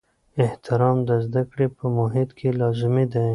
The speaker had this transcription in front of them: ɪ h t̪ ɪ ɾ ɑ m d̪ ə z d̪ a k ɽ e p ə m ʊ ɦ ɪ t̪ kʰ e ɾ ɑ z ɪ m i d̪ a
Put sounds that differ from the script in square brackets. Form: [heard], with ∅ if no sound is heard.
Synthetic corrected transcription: ɪ h t̪ ɪ ɾ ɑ m d̪ ə z d̪ a k ɽ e p ə m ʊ ɦ ɪ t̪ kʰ e [l] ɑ z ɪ m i d̪ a